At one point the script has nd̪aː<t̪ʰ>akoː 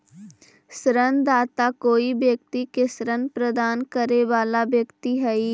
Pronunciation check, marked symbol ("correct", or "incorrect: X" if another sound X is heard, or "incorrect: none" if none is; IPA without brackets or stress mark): incorrect: t̪